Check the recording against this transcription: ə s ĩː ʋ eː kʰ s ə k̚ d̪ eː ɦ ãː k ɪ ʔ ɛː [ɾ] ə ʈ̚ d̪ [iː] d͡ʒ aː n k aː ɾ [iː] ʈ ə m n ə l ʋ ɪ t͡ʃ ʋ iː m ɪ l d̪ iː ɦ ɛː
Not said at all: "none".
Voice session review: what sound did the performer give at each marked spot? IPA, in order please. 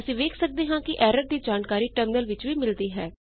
ɾ, iː, iː

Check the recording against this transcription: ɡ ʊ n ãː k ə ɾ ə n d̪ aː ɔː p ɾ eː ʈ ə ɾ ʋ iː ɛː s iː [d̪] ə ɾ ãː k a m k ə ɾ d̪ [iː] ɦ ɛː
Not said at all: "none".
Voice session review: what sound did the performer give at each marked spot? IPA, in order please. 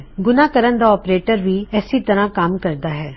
t̪, aː

